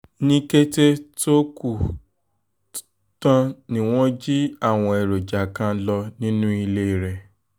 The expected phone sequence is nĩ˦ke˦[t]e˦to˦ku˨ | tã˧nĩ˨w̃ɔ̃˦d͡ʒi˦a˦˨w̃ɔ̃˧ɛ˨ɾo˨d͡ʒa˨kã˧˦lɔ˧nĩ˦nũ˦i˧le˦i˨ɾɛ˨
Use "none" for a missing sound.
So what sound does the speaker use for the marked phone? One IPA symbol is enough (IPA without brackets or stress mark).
t